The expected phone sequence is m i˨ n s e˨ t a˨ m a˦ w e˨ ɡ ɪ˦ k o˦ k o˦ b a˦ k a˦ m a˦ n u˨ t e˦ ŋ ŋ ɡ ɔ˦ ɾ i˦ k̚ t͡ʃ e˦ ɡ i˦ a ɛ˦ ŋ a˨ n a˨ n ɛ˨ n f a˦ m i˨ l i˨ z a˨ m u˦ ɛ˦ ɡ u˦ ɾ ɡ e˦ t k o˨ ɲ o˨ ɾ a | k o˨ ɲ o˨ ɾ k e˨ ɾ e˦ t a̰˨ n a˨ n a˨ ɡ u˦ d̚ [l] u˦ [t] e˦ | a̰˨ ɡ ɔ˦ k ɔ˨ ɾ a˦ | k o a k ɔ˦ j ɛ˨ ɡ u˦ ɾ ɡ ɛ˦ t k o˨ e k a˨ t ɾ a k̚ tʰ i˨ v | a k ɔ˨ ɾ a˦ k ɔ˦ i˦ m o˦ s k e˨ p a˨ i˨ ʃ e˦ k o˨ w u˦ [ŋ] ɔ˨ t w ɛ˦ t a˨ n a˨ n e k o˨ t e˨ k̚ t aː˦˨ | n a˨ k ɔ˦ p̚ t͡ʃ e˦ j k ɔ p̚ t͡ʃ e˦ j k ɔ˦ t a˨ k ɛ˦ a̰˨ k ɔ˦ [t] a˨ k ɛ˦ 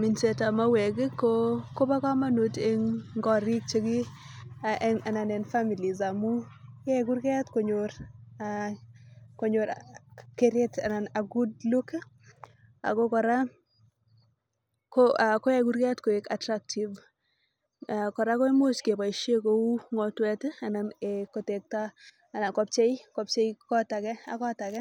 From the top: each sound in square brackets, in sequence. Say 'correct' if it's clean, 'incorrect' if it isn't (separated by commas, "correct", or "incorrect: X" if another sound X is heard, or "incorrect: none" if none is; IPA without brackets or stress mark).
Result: correct, incorrect: k, correct, correct